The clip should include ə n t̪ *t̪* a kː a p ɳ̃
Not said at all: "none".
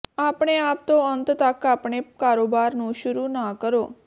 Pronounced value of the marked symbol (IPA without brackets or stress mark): t̪